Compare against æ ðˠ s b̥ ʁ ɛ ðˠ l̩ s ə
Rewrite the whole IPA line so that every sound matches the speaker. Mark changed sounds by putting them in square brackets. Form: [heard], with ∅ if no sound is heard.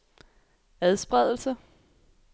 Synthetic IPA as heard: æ ðˠ s b̥ ʁ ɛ ðˠ l̩ s ə